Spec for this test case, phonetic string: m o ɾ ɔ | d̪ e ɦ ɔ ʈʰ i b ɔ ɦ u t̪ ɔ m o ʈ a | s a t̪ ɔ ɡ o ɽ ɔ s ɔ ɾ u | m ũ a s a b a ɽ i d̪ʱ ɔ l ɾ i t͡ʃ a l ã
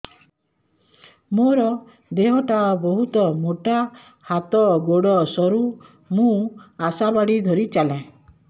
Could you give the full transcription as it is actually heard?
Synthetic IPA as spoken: m o ɾ ɔ | d̪ e ɦ ɔ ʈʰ a b ɔ ɦ u t̪ ɔ m o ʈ a | h a t̪ ɔ ɡ o ɽ ɔ s ɔ ɾ u | m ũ a s a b a ɽ i d̪ʱ ɔ ɾ i t͡ʃ a l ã